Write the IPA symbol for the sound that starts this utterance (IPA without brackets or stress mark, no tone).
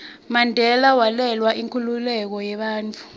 m